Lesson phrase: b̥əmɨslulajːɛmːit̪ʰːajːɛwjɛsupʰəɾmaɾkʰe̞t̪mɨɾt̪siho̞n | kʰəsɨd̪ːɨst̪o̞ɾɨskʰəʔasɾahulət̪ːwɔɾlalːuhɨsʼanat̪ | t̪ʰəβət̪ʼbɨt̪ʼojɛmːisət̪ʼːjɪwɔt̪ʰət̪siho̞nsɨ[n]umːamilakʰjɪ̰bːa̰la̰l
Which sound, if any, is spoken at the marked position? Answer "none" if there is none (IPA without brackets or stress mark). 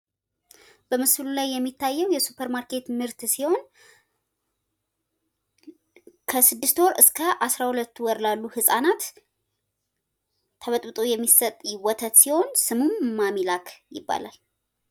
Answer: m